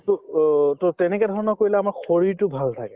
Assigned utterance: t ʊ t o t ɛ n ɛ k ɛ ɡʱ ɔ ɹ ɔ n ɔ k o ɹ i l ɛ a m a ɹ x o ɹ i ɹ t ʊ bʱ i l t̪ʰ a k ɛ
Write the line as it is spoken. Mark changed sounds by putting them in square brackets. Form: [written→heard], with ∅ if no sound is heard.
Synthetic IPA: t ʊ t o t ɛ n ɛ k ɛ [ɡʱ→dʱ] ɔ ɹ ɔ n ɔ k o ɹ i l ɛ a m a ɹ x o ɹ i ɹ t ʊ bʱ [i→a] l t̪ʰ a k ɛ